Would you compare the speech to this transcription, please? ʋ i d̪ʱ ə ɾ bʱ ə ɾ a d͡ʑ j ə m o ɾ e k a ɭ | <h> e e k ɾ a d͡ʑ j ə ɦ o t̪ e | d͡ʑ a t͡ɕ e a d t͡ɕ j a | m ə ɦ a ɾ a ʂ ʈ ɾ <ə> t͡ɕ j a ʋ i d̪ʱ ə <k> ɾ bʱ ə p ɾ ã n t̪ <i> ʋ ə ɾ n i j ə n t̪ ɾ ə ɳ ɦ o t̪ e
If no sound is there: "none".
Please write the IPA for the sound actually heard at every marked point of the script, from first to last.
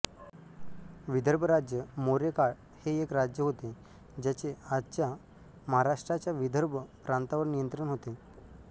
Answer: h, a, none, a

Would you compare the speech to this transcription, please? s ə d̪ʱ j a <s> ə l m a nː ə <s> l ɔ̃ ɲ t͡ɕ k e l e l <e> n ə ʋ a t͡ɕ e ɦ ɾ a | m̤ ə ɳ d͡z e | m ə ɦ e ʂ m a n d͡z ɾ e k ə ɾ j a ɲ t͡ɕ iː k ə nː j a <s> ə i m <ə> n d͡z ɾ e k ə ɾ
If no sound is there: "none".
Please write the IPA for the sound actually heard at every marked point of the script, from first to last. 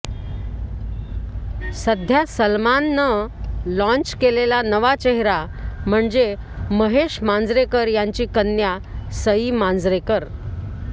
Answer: s, none, a, s, a

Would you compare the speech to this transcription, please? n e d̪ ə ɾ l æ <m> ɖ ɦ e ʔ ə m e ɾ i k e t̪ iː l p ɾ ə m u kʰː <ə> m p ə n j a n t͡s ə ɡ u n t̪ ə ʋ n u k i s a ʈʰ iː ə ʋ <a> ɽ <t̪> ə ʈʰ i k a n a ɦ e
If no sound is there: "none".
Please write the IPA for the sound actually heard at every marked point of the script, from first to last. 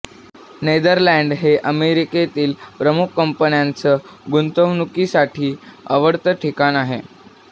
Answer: ɳ, ə, ə, t̪

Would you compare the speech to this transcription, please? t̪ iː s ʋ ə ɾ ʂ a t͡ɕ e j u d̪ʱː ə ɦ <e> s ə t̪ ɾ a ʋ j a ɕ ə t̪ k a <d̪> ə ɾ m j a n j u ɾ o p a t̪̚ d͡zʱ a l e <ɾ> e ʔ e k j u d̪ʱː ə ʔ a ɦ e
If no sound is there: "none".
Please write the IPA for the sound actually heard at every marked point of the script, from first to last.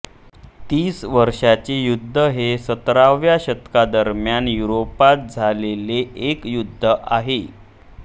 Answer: e, d̪, l

